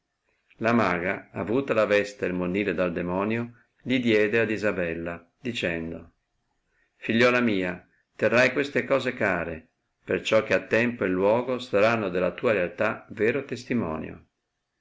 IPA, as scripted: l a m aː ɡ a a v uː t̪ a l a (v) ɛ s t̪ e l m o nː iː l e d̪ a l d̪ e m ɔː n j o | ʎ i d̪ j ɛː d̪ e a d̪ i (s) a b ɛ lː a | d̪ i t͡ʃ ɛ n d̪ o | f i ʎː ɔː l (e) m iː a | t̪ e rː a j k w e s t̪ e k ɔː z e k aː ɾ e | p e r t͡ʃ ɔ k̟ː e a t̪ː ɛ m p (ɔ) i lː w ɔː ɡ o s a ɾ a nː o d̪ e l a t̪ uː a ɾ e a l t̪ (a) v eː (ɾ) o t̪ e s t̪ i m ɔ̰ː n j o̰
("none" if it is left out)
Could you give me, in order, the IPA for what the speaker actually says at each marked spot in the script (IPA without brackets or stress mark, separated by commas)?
v, z, a, o, a, ɾ